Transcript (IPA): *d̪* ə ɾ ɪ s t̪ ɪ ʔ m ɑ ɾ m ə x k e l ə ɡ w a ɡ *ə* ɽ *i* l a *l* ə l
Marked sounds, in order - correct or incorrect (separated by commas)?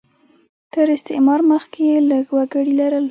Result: incorrect, correct, correct, incorrect